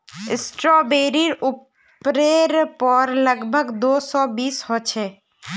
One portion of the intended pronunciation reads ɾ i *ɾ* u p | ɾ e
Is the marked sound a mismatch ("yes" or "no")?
no